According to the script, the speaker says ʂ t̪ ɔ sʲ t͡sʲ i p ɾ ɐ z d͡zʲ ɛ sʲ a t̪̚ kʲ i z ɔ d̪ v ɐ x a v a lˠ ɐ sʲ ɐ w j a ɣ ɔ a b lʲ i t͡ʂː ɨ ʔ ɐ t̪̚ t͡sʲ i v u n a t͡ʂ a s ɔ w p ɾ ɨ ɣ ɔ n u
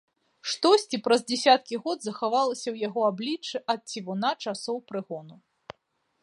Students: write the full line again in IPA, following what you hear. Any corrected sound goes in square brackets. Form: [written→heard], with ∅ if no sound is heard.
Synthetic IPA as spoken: ʂ t̪ ɔ sʲ t͡sʲ i p ɾ ɐ z d͡zʲ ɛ sʲ a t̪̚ kʲ i [z→ɣ] ɔ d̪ [v→z] ɐ x a v a lˠ ɐ sʲ ɐ w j a ɣ ɔ a b lʲ i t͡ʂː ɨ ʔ ɐ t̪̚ t͡sʲ i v u n a t͡ʂ a s ɔ w p ɾ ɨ ɣ ɔ n u